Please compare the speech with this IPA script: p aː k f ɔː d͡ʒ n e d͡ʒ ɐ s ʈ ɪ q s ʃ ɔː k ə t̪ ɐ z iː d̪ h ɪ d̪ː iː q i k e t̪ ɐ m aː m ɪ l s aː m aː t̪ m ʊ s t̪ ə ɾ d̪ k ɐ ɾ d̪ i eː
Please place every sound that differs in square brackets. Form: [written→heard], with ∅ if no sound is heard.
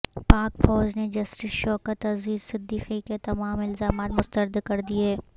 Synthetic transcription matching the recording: p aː k f ɔː d͡ʒ n e d͡ʒ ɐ s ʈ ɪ [q→∅] s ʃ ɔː k ə t̪ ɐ z iː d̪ [h→s] ɪ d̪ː iː q i k e t̪ ɐ m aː m ɪ l [s→z] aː m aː t̪ m ʊ s t̪ ə ɾ d̪ k ɐ ɾ d̪ i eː